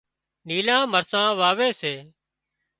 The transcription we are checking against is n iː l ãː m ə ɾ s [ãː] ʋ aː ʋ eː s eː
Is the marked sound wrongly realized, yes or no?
no